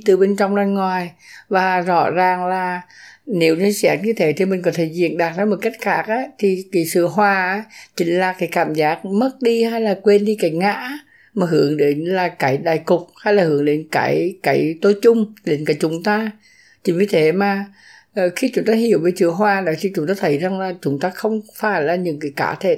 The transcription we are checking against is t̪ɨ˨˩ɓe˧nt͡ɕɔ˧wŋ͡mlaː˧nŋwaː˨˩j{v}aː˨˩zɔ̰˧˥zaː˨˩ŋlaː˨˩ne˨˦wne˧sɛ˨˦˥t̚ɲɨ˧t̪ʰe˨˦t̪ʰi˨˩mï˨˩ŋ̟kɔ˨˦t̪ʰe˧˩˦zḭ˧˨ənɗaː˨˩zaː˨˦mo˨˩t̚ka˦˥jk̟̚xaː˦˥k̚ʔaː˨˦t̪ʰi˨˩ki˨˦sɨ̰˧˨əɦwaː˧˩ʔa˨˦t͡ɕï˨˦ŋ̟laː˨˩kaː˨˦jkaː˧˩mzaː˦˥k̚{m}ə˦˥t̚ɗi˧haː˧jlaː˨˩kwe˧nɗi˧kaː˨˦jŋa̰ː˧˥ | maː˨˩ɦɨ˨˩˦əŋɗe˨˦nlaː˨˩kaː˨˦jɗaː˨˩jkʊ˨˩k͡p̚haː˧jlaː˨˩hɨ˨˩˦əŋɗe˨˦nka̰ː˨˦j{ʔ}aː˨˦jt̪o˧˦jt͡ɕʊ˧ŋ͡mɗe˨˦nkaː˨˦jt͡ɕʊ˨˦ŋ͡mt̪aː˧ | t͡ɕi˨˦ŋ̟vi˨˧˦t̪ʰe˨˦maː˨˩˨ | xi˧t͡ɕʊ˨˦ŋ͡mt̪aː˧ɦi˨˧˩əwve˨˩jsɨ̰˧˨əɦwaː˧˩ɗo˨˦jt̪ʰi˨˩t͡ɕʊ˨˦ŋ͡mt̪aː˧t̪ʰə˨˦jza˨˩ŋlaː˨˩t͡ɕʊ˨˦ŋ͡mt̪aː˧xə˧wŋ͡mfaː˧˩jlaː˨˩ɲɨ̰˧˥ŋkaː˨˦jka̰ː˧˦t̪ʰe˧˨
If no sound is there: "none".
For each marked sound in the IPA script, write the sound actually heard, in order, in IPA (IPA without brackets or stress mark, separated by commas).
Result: v, m, k